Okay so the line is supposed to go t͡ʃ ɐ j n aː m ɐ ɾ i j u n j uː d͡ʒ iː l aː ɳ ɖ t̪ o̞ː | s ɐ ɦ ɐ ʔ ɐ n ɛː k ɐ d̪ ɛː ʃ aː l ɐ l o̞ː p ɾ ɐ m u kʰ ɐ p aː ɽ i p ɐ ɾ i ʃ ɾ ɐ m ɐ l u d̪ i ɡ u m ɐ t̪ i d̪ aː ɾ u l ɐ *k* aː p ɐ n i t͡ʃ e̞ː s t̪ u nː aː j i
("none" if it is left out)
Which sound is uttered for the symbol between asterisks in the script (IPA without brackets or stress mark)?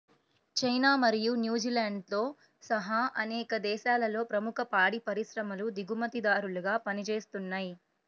ɡ